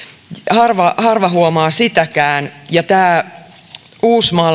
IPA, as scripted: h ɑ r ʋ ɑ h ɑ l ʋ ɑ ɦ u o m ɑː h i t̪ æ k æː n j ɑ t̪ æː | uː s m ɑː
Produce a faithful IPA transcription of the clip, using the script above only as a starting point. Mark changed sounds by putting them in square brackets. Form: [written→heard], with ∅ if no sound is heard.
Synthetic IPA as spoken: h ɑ r ʋ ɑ h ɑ [l→r] ʋ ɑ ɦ u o m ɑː [h→s] i t̪ æ k æː n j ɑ t̪ æː | uː s m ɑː